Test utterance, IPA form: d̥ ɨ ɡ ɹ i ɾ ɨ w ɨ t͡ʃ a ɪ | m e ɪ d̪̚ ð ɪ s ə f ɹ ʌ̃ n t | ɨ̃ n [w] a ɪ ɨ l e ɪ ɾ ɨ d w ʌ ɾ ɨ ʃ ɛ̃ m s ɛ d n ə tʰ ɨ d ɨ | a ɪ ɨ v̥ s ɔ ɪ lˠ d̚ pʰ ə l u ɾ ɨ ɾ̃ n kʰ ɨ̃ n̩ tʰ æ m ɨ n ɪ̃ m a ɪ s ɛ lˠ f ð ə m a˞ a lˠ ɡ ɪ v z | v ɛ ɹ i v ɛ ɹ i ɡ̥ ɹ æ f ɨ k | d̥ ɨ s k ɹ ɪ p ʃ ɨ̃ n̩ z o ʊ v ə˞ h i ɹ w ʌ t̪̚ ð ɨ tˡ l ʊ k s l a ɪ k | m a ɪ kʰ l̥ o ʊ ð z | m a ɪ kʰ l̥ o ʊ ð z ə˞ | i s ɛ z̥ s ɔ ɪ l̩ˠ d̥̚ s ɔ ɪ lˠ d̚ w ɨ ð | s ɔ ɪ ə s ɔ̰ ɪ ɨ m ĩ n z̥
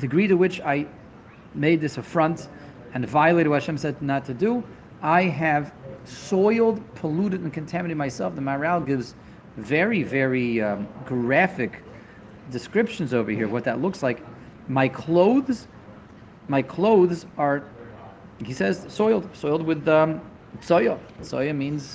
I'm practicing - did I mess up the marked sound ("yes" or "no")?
yes